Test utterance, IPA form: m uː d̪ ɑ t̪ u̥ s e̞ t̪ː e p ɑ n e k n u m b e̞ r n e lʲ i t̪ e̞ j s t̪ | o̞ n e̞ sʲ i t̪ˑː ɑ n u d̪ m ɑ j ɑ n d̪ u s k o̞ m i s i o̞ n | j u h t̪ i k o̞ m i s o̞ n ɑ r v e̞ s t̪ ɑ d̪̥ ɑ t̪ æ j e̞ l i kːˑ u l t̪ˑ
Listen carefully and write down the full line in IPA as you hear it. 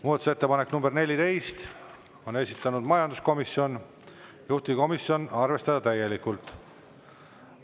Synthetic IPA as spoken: m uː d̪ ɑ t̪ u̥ s e̞ t̪ː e p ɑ n e k n u m b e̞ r n e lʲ i t̪ e̞ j s t̪ | o̞ n e̞ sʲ i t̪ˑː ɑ n u d̪ m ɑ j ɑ n d̪ u s k o̞ m i s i o̞ n | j u h t̪ i k o̞ m i s o̞ n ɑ r v e̞ s t̪ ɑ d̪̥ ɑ t̪ æ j e̞ l i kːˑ u l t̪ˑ